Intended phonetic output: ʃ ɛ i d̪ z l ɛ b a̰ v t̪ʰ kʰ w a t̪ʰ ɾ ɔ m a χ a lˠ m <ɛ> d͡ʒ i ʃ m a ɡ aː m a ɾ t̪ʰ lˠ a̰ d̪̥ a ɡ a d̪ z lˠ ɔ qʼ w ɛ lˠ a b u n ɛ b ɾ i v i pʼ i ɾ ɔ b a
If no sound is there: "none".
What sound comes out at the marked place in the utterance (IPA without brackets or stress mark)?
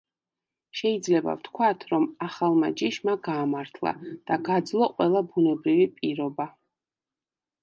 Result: a